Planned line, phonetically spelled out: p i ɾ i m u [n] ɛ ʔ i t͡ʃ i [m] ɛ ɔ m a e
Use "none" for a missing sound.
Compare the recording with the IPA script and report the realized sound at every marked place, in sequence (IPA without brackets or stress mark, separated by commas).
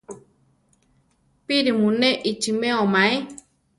n, m